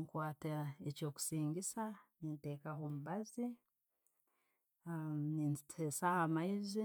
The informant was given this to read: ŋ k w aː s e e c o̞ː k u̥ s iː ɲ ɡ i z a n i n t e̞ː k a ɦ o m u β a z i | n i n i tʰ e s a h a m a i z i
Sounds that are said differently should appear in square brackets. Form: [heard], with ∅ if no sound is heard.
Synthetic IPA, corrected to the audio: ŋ k w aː [t] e e c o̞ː k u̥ s iː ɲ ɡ i [s] a n i n t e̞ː k a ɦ o m u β a z i | n i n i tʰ e s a h a m a i z i